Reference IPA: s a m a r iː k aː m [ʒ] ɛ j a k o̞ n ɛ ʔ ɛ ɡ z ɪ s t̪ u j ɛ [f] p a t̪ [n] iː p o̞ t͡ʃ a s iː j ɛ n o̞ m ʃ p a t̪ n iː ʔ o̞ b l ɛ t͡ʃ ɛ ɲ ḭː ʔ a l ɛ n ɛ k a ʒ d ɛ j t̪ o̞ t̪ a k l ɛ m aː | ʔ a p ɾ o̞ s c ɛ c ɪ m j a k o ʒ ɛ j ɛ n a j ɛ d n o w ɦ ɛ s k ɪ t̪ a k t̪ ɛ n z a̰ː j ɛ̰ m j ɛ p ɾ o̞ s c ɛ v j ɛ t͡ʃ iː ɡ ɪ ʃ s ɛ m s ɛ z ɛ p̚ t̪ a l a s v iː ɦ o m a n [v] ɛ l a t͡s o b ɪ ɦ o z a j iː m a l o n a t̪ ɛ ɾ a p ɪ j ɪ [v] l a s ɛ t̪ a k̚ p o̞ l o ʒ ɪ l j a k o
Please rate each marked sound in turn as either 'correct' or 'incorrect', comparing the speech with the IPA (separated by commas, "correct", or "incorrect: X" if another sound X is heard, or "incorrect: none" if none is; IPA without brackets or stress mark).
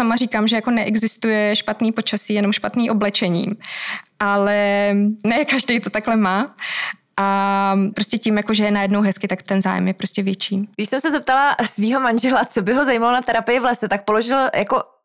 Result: correct, incorrect: ʃ, correct, incorrect: ʒ, correct